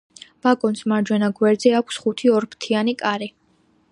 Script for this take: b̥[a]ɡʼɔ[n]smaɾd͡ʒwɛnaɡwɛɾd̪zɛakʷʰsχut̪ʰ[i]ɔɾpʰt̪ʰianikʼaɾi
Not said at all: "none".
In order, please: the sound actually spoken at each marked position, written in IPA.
a, n, i

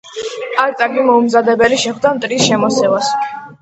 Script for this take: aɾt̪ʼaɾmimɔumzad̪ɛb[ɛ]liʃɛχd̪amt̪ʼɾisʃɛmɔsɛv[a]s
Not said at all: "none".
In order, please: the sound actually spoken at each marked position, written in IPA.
ɛ, a

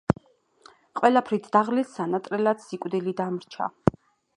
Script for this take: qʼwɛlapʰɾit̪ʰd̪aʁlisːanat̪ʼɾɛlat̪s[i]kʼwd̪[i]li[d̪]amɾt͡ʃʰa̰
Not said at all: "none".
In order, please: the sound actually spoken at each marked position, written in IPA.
i, i, d̪

